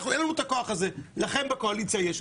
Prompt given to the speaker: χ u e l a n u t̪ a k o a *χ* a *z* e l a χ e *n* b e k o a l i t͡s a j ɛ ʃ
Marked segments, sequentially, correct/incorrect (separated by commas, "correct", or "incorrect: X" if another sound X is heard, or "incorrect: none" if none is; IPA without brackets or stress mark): correct, correct, correct